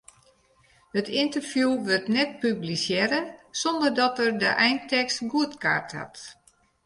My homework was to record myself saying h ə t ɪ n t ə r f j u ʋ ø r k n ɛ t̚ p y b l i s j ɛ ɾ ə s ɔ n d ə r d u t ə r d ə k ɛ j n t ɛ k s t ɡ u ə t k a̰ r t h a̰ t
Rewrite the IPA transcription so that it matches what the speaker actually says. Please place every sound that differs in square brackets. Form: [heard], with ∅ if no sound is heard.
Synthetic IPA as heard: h ə t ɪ n t ə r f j u ʋ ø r [t] n ɛ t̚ p y b l i s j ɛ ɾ ə s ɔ n d ə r d [ɔ] t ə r d ə [ʔ] ɛ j n t ɛ k s t ɡ u ə t k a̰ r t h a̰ t